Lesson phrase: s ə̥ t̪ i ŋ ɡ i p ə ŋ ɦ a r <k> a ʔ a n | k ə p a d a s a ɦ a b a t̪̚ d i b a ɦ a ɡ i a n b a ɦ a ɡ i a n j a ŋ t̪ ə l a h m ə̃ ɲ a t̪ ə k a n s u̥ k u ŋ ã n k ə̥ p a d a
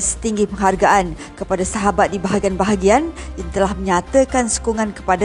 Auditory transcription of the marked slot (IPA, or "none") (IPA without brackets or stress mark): ɡ